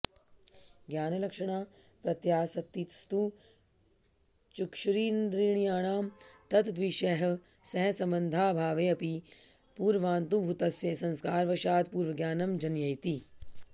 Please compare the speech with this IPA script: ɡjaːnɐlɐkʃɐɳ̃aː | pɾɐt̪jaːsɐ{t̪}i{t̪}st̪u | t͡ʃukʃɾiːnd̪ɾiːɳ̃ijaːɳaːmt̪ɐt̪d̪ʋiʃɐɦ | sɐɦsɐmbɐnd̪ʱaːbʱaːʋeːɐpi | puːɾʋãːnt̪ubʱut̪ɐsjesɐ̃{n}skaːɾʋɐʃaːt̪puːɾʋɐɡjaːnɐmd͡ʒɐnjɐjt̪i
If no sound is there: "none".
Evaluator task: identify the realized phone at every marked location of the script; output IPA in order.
t̪, t̪, n

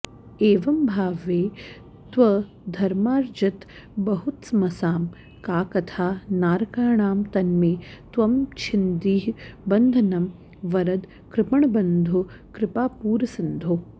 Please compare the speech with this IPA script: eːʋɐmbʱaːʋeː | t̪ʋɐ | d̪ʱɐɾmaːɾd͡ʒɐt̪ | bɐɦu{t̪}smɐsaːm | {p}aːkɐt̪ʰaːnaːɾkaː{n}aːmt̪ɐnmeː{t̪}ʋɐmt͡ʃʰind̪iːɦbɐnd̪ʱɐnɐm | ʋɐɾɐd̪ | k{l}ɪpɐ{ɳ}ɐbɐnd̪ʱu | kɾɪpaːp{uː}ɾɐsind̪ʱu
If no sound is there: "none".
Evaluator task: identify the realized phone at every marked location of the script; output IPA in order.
t̪, k, ɳ, t̪, ɾ, ɳ, uː

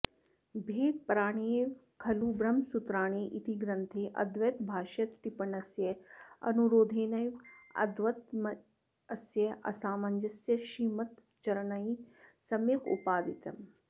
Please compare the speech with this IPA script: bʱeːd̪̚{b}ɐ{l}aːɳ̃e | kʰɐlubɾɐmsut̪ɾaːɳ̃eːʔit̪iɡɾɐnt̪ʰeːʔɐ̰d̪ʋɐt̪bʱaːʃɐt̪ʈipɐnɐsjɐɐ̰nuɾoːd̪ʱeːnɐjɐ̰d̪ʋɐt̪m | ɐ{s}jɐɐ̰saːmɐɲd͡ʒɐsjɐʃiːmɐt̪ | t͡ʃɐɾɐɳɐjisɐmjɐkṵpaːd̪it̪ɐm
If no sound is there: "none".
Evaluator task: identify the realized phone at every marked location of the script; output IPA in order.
p, ɾ, s

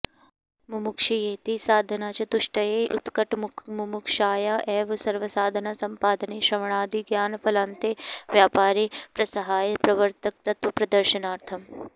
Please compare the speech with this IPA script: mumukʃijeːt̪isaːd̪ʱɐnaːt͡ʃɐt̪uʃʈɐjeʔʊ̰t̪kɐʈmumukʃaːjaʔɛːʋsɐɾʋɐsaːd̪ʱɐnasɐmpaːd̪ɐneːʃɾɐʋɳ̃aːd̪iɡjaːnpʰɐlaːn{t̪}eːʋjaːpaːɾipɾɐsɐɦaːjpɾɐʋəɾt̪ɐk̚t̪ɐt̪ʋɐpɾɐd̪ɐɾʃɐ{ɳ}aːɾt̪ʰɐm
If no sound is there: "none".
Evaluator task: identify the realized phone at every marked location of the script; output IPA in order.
t̪, n

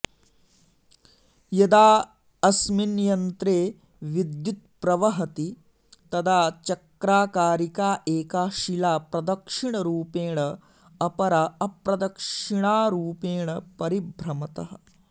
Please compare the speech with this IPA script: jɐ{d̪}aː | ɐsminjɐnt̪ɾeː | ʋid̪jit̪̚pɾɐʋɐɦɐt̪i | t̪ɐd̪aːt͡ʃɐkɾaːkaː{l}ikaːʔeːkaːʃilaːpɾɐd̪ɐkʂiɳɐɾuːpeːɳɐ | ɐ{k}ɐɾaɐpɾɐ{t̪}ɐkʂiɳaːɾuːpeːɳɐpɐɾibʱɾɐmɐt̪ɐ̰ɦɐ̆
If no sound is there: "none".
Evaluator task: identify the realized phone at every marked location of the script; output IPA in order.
d̪, ɾ, p, d̪

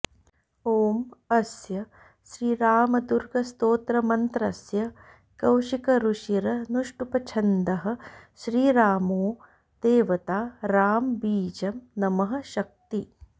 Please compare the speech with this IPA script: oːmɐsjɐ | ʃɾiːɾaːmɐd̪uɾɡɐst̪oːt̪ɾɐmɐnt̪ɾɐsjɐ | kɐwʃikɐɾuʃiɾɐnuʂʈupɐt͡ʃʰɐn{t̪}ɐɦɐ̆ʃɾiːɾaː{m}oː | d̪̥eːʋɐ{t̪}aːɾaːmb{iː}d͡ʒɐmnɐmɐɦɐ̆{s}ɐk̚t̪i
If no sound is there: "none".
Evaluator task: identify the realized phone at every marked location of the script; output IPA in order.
d̪, m, t̪, iː, ʃ

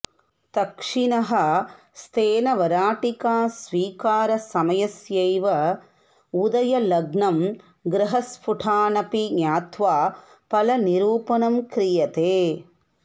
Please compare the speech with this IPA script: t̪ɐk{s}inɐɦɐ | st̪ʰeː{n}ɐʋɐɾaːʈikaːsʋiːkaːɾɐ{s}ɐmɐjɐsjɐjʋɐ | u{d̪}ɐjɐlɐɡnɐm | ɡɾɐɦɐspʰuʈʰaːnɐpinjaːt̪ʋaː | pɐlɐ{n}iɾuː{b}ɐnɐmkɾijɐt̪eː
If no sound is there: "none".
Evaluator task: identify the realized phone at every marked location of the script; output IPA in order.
ʂ, n, s, d̪, n, p

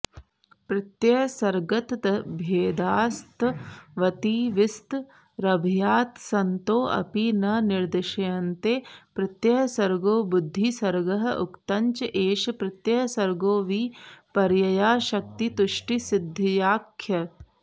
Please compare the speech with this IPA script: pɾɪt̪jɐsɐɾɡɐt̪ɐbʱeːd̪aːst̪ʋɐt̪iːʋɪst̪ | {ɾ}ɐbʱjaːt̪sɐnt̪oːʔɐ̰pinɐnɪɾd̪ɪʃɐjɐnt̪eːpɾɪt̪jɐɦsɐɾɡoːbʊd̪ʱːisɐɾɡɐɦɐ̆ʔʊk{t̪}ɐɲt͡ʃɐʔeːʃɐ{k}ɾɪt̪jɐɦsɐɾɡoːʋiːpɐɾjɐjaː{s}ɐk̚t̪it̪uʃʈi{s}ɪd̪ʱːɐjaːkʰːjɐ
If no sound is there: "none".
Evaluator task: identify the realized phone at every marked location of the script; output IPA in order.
ɾ, t̪, p, ʃ, s

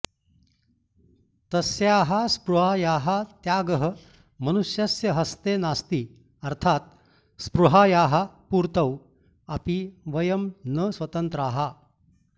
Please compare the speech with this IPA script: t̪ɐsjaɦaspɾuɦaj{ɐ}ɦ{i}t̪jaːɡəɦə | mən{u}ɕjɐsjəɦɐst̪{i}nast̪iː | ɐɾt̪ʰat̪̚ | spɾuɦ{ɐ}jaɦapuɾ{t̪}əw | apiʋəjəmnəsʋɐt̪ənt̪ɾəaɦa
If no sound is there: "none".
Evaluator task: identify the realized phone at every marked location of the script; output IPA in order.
a, a, u, e, a, t̪

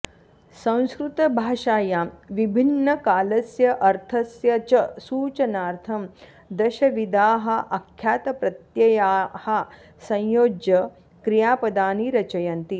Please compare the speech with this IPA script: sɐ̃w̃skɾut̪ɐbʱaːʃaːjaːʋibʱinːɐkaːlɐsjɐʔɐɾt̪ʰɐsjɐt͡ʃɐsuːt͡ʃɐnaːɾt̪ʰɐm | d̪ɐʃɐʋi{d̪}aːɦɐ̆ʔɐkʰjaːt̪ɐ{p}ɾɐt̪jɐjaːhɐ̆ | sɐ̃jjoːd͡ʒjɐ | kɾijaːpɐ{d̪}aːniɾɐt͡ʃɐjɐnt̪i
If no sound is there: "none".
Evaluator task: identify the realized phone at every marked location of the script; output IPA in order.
d̪, p, d̪

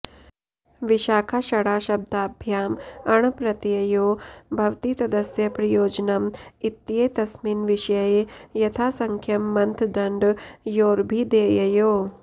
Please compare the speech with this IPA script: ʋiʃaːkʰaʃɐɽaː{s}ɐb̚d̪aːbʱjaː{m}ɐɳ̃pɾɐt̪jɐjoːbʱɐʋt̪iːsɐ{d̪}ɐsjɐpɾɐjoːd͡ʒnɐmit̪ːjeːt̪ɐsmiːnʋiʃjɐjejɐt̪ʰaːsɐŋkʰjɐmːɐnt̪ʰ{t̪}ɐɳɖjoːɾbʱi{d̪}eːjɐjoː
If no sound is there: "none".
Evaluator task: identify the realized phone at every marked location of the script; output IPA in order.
ʃ, m, d̪, d̪, d̪

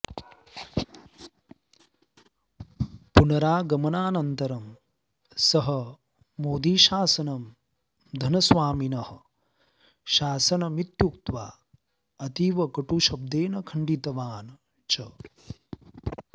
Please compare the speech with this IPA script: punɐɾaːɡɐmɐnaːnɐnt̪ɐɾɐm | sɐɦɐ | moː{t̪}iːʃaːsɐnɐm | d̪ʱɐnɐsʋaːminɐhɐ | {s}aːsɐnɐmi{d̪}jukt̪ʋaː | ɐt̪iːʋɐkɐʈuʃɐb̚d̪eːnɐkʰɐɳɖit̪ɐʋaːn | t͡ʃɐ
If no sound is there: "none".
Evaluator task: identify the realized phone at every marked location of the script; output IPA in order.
d̪, ʃ, t̪

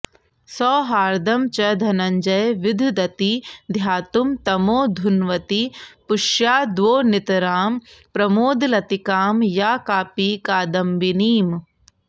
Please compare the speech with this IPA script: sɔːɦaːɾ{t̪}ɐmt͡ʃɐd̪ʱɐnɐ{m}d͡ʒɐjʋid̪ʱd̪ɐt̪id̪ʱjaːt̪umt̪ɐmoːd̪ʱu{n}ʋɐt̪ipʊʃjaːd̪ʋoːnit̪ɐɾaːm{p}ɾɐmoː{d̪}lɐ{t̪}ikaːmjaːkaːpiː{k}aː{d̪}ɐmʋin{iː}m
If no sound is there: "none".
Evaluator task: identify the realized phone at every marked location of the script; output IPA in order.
d̪, ɲ, n, p, d̪, t̪, k, d̪, iː

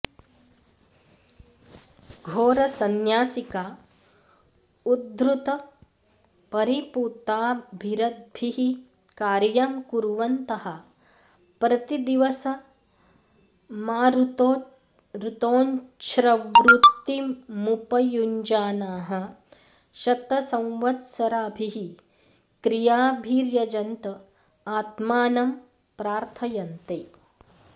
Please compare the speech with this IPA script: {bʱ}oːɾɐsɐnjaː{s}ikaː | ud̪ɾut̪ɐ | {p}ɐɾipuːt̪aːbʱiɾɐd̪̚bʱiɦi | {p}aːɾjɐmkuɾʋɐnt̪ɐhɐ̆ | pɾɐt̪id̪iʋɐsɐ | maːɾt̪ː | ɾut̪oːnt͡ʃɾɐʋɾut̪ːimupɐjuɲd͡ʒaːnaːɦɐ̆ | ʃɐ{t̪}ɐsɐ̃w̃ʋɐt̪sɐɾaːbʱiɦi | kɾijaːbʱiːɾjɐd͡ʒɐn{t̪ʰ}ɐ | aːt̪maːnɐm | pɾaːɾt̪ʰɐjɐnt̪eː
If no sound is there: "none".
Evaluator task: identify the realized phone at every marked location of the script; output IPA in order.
ɡʱ, s, p, k, t̪, t̪

